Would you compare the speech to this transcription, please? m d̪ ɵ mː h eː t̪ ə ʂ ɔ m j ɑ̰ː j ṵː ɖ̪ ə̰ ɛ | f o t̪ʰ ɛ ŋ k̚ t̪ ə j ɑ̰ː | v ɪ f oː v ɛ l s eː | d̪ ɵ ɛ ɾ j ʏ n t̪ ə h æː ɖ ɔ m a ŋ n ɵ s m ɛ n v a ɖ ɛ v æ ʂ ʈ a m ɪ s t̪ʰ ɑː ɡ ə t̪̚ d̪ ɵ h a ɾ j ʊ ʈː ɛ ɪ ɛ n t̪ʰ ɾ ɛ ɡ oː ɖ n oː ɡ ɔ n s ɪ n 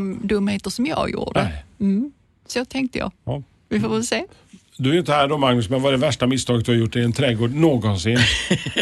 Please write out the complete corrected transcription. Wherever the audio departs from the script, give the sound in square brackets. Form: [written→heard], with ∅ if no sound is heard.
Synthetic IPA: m d̪ ɵ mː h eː t̪ ə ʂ ɔ m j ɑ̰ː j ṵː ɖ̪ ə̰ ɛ | [f→s] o t̪ʰ ɛ ŋ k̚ t̪ ə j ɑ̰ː | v ɪ f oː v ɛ l s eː | d̪ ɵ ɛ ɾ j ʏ n t̪ ə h æː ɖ ɔ m a ŋ n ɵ s m ɛ n v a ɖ ɛ v æ ʂ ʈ a m ɪ s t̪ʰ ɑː ɡ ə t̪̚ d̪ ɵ h a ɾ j ʊ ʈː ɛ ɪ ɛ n t̪ʰ ɾ ɛ ɡ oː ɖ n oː ɡ ɔ n s ɪ n